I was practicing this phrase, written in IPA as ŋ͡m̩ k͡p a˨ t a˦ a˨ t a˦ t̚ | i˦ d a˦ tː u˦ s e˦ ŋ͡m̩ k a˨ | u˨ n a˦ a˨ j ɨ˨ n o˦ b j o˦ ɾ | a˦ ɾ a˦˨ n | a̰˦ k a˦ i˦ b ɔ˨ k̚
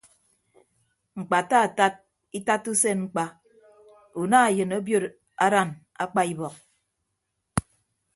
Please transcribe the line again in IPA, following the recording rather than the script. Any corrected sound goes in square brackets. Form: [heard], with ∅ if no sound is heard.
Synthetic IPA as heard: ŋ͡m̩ k͡p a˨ t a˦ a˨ t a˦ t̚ | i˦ [t] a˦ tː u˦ s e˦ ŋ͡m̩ [k͡p] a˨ | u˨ n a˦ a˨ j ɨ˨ n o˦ b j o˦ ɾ | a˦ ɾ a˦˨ n | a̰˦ [k͡p] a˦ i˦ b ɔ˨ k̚